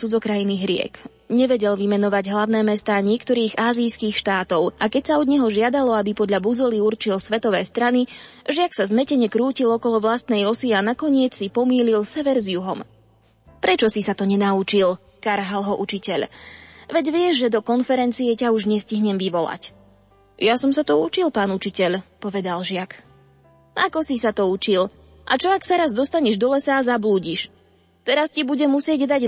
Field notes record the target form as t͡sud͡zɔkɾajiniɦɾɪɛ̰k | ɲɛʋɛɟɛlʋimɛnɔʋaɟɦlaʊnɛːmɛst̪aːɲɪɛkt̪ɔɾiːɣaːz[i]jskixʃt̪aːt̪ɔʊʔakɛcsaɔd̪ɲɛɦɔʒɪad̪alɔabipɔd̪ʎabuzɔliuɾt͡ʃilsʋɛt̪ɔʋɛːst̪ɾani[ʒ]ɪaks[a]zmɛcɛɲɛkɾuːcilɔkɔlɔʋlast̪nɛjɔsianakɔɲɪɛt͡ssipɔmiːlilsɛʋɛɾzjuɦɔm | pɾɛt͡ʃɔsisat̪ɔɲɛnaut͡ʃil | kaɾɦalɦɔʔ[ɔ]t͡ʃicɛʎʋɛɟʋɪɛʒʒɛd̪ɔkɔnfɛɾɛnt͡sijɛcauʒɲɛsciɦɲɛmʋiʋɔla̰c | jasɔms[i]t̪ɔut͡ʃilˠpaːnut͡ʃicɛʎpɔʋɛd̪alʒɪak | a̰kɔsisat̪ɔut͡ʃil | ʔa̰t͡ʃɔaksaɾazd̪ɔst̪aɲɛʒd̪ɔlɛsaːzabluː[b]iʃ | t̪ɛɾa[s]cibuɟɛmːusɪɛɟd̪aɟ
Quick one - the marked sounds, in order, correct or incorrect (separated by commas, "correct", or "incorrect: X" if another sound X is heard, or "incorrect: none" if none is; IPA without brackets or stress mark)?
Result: correct, correct, correct, incorrect: u, incorrect: a, incorrect: ɟ, correct